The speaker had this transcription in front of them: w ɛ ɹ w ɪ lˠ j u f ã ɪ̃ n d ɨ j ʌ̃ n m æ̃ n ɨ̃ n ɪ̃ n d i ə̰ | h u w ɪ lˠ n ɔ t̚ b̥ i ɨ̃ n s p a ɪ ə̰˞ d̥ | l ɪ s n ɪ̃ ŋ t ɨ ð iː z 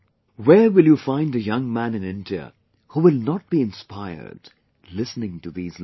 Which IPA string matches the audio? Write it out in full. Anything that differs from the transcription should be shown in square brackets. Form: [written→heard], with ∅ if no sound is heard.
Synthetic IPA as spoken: w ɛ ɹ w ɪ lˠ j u f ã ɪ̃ n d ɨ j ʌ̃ [n→ŋ] m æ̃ n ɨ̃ n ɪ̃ n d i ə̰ | h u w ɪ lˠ n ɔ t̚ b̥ i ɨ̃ n s p a ɪ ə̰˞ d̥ | l ɪ s n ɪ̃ ŋ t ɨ ð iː z